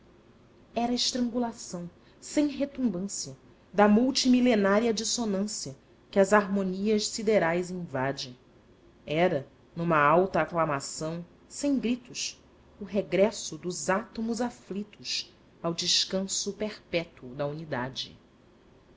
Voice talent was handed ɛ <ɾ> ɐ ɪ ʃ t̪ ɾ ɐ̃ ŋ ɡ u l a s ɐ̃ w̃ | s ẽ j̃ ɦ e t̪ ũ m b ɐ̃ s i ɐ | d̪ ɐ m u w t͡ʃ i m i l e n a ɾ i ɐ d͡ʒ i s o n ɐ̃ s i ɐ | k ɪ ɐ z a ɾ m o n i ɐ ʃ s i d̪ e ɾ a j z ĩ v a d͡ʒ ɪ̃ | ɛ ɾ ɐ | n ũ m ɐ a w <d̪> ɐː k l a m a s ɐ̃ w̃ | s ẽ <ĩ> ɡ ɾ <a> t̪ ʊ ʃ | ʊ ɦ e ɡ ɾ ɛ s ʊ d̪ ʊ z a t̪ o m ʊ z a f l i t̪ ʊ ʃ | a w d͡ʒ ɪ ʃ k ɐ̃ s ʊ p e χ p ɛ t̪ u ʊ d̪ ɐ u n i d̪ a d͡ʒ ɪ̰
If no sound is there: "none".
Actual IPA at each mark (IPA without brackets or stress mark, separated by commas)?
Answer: ɾ, t̪, j̃, i